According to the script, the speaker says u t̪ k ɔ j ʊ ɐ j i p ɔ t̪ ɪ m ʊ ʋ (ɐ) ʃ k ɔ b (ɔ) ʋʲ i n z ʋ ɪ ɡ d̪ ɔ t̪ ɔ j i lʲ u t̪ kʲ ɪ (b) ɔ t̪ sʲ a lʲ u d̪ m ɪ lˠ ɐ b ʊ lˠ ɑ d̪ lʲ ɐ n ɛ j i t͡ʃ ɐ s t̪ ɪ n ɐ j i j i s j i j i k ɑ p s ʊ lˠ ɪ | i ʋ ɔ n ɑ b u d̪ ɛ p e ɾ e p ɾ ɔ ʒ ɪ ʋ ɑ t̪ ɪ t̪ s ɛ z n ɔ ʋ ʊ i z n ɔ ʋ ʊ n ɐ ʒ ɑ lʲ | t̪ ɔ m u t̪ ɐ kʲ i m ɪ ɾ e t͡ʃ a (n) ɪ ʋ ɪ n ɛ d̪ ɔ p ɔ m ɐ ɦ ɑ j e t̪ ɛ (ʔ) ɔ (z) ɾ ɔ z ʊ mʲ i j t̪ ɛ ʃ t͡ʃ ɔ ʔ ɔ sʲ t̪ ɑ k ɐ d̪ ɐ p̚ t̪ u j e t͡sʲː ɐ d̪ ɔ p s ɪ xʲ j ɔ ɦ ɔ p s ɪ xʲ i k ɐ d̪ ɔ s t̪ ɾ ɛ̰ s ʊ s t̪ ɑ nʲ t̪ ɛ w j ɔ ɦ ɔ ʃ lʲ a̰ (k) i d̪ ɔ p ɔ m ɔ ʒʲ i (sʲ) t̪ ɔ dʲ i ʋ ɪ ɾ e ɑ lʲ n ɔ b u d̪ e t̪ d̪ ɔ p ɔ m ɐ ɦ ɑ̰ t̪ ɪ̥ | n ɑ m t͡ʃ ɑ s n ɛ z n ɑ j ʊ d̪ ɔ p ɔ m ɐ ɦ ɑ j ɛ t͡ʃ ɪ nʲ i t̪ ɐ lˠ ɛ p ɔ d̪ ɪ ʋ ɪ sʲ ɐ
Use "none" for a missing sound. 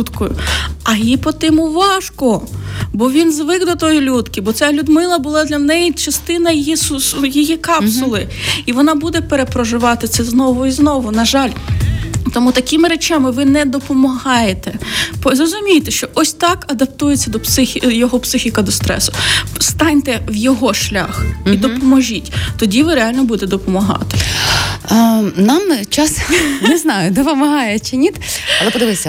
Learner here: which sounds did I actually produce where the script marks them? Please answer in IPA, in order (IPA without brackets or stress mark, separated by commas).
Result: ɑ, ɔ, b, m, p, z, x, tʲ